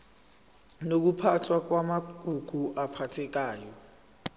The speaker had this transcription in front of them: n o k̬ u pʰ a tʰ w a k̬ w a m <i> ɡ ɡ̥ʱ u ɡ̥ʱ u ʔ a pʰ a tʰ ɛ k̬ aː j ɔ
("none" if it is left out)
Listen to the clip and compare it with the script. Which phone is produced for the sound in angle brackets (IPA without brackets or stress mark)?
a